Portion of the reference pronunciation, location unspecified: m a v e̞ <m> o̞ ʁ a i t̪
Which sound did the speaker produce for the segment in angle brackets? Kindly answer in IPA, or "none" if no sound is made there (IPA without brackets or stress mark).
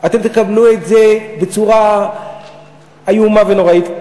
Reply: n